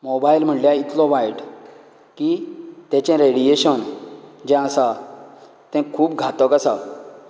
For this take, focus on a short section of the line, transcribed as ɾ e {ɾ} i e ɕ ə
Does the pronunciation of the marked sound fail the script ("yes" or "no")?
yes